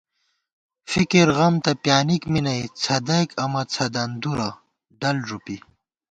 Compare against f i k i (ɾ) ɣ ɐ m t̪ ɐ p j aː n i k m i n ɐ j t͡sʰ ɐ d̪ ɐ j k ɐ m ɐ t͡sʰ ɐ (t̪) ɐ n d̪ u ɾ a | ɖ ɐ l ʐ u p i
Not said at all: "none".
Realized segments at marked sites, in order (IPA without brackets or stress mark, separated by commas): ɾ, d̪